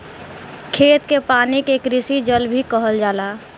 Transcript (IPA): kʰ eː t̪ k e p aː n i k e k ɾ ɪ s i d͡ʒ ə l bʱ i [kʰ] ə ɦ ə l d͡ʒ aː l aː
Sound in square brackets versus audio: incorrect: k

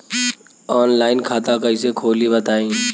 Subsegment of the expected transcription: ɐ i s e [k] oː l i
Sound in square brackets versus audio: incorrect: kʰ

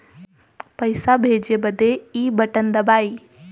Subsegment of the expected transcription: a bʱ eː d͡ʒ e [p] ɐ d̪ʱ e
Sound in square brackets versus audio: incorrect: b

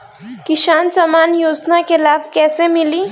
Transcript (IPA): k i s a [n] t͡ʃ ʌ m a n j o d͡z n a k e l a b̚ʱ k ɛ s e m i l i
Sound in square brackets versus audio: correct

